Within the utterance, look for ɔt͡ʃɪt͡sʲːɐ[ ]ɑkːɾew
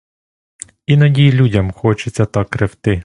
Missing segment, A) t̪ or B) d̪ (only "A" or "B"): A